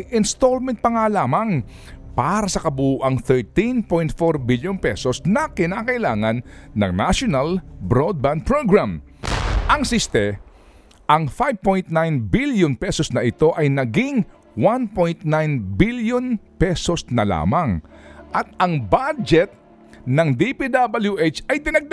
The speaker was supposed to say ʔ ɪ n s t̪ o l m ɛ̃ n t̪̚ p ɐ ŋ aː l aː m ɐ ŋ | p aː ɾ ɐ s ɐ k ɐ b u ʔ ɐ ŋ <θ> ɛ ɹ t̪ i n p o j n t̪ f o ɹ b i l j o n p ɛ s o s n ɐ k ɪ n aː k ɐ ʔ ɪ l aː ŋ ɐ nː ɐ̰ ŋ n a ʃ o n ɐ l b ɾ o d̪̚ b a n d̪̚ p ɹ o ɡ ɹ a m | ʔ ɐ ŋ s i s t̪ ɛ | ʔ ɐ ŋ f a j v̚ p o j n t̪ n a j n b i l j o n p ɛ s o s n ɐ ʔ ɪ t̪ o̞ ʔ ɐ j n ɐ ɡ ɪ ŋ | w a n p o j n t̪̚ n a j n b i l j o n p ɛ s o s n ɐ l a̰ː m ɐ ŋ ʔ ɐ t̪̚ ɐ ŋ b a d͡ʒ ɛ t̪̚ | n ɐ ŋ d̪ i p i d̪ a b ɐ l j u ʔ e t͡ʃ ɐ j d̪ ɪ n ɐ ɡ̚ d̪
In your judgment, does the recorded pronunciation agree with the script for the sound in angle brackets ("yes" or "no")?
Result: yes